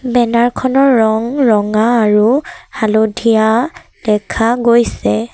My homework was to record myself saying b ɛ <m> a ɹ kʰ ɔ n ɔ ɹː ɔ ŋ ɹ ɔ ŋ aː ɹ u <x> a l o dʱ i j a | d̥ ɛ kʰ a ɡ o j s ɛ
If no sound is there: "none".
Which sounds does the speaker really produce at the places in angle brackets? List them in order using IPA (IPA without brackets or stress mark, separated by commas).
n, h